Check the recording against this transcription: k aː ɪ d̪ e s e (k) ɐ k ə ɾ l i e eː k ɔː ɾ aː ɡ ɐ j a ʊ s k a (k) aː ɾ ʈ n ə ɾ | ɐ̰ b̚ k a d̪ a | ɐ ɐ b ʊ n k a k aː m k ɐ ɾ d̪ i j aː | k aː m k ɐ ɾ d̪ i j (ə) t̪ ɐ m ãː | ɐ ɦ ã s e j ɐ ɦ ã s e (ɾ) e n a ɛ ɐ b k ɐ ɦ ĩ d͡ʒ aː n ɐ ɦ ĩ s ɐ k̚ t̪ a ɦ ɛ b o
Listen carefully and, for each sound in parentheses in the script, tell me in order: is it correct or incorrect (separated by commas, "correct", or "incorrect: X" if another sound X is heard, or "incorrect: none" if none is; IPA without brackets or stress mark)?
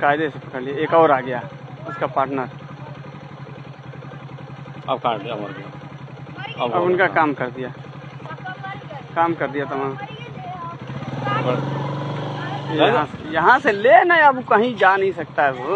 incorrect: p, incorrect: p, incorrect: a, incorrect: l